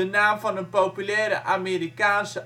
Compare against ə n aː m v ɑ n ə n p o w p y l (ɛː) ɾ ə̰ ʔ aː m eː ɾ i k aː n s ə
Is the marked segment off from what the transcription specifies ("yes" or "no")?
no